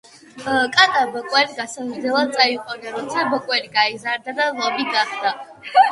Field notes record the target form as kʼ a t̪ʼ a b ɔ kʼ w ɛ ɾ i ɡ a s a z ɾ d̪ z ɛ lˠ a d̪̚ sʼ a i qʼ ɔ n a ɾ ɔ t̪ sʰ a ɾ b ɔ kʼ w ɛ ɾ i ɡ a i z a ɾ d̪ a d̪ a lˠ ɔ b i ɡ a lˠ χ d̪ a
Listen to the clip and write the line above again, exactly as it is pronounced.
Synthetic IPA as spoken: kʼ a t̪ʼ a b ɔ kʼ w ɛ ɾ i ɡ a s a z ɾ d̪ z ɛ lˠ a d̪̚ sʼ a i qʼ ɔ n a ɾ ɔ t̪ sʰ a b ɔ kʼ w ɛ ɾ i ɡ a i z a ɾ d̪ a d̪ a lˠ ɔ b i ɡ a χ d̪ a